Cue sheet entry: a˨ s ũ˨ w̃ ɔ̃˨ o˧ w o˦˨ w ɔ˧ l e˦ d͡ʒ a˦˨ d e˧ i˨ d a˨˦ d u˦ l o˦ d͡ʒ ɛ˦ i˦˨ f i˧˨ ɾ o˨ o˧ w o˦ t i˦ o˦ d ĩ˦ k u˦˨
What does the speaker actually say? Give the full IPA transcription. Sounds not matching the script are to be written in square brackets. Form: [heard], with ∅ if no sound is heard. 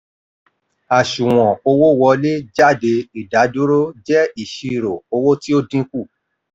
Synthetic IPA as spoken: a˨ [ʃ] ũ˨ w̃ ɔ̃˨ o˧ w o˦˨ w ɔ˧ l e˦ d͡ʒ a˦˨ d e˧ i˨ d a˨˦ d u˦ [ɾ] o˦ d͡ʒ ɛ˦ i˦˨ [ʃ] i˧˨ ɾ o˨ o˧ w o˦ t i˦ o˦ d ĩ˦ k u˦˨